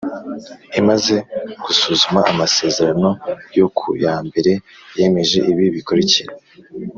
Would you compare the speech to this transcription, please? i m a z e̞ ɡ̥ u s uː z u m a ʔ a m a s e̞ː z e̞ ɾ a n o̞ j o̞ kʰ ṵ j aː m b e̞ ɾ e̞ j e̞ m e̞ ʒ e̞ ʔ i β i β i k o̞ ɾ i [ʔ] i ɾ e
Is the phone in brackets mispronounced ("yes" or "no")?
yes